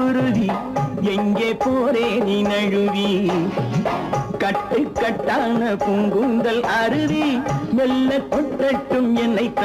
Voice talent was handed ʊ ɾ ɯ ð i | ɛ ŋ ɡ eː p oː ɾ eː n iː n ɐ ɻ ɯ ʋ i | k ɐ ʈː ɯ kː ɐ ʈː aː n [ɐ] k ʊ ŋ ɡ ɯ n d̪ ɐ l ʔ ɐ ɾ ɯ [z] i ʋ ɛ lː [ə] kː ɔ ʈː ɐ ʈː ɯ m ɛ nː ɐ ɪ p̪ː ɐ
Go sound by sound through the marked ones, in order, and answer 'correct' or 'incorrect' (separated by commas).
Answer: correct, incorrect, incorrect